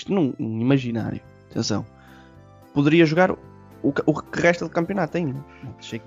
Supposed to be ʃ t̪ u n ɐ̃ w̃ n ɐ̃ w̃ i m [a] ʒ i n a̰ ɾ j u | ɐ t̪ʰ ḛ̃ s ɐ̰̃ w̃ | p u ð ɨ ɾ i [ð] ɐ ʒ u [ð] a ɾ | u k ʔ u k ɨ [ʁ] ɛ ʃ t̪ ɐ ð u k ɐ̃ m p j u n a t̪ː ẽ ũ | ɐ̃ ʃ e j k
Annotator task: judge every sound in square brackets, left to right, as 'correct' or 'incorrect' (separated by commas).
incorrect, incorrect, incorrect, correct